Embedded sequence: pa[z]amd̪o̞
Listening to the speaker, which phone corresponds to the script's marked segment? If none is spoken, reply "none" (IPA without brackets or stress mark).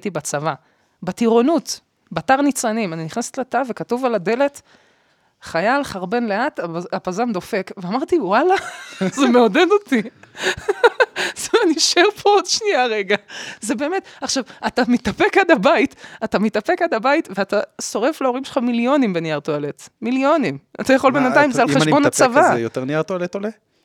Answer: z